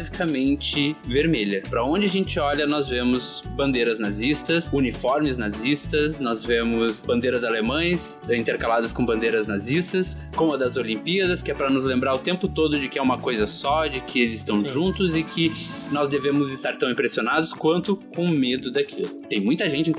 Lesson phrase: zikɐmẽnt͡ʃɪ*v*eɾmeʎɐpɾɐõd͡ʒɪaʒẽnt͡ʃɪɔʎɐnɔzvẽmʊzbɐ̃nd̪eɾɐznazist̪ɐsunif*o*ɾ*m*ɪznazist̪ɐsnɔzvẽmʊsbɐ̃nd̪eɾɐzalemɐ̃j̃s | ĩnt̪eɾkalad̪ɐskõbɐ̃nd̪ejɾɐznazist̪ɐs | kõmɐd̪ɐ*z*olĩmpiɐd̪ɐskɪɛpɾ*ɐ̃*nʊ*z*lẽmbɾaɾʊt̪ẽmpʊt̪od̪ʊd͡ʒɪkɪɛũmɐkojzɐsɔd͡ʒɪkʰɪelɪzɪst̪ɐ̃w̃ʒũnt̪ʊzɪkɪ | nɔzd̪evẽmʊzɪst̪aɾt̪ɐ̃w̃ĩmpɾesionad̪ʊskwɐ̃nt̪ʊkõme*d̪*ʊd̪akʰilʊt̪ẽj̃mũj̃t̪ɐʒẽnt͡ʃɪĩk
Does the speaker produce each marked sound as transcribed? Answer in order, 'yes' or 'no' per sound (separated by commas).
yes, no, yes, yes, no, yes, yes